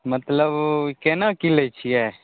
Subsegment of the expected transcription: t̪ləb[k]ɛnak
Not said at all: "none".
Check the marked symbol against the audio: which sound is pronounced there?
k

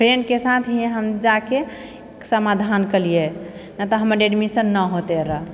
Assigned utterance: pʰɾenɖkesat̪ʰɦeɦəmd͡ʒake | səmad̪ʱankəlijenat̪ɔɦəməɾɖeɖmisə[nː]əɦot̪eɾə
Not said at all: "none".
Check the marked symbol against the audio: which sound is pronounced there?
nː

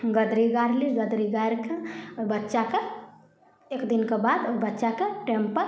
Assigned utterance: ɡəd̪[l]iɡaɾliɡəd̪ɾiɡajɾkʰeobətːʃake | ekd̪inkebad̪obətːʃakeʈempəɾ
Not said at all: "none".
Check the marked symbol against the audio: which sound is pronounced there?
ɾ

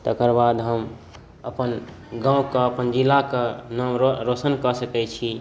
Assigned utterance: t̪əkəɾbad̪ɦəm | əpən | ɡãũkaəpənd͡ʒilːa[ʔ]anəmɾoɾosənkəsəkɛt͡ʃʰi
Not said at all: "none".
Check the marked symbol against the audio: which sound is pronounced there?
k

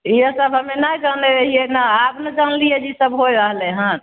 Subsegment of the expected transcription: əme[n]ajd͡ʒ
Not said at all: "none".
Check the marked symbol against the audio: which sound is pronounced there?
n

